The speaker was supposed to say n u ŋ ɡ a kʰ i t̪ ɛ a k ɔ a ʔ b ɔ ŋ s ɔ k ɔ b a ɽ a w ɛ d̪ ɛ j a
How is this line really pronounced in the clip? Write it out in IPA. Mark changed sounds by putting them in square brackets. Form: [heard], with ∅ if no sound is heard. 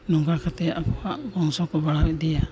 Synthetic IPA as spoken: n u ŋ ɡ a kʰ [a] t̪ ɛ a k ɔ a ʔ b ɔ ŋ s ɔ k ɔ b a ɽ a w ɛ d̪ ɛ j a